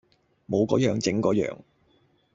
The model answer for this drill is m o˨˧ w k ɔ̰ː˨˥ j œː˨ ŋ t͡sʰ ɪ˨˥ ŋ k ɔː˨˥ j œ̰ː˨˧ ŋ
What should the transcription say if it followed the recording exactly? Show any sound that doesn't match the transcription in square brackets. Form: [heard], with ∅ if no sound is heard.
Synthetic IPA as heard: m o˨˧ w k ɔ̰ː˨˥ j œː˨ ŋ [t͡s] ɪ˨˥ ŋ k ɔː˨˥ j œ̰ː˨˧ ŋ